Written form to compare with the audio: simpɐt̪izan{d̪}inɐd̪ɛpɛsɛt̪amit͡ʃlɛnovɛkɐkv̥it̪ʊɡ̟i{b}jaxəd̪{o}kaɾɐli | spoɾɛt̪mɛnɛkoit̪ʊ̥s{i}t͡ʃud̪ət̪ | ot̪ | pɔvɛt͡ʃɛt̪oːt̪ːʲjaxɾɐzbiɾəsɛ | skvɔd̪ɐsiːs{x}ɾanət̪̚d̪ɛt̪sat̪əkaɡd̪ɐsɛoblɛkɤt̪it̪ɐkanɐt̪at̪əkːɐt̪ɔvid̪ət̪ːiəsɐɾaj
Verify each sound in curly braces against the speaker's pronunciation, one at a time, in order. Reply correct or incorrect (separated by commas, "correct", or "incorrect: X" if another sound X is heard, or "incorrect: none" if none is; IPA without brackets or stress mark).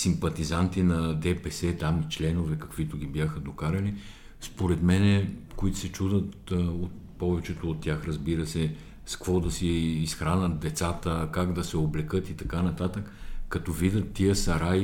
incorrect: t̪, correct, correct, incorrect: ɛ, correct